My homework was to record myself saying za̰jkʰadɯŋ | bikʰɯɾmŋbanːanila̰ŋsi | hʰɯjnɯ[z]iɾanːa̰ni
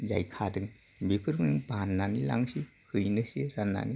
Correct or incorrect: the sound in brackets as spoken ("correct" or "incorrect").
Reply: incorrect